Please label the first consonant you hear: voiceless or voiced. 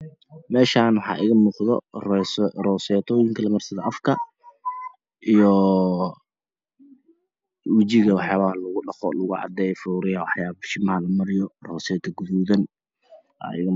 voiced